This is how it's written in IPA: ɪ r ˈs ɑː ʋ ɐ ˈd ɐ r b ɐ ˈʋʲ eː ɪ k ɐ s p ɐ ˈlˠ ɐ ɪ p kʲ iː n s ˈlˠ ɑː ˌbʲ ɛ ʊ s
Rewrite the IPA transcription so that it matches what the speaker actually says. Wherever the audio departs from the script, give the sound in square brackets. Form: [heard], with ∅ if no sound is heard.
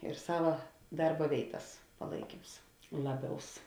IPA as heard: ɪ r ˈs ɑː ʋ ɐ ˈd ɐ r b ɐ ˈʋʲ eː ɪ [t] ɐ s p ɐ ˈlˠ ɐ ɪ [∅] kʲ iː [m] s ˈlˠ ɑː ˌbʲ ɛ ʊ s